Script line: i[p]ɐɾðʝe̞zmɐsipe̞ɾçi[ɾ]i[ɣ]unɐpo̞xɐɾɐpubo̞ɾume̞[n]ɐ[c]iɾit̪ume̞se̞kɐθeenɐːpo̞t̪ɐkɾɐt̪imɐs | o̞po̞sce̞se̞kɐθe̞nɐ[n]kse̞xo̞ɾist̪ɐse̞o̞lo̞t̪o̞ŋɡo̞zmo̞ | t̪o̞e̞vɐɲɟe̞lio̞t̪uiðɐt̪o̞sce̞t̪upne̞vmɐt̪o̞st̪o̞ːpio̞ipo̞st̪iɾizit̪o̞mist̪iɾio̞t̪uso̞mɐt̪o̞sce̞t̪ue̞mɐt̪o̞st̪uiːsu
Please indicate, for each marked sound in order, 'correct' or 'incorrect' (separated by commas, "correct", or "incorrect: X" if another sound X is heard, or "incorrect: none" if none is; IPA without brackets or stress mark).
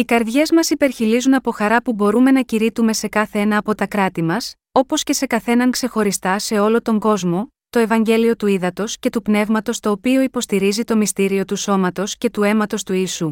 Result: incorrect: k, incorrect: l, incorrect: z, correct, correct, incorrect: ŋ